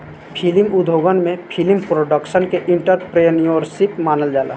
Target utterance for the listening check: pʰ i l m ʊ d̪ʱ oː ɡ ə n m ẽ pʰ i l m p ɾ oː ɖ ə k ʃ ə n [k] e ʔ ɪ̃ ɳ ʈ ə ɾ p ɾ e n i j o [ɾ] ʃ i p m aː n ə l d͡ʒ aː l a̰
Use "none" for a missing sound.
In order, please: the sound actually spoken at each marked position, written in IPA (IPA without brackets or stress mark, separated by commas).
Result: k, ɾ